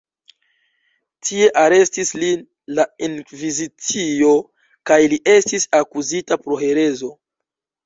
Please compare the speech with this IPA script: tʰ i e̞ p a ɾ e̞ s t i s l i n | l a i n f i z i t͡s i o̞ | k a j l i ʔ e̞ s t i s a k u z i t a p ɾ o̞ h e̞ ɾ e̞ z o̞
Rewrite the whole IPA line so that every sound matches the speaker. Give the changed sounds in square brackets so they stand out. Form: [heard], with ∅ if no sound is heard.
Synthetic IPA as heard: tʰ i e̞ [ʔ] a ɾ e̞ s t i s l i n | l a i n [v] i z i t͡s i o̞ | k a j l i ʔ e̞ s t i s a k u z i t a p ɾ o̞ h e̞ ɾ e̞ z o̞